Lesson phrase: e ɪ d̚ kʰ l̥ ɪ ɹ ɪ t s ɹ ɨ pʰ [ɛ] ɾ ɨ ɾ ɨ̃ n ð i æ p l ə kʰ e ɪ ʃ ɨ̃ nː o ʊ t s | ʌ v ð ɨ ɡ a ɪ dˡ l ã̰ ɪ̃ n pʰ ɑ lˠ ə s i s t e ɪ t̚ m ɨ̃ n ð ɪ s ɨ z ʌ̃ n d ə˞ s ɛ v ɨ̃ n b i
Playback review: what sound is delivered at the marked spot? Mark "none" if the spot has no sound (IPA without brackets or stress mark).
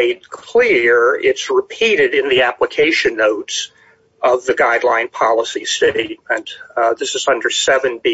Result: i